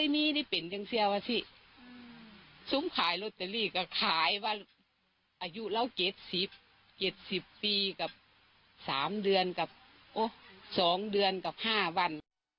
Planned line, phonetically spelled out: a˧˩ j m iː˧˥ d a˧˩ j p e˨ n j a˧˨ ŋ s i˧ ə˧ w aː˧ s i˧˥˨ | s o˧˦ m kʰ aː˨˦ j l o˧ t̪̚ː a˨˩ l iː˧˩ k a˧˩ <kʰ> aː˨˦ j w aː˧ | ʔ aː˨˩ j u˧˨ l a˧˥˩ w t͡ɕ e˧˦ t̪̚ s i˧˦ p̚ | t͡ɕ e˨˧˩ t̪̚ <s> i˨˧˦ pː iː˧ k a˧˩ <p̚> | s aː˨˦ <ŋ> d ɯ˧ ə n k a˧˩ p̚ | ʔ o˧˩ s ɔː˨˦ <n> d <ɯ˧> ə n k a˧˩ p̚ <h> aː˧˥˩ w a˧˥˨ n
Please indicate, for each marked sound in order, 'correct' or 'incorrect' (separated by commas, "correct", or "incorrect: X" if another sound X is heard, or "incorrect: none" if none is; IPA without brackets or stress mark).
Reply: correct, correct, correct, incorrect: m, incorrect: ŋ, correct, correct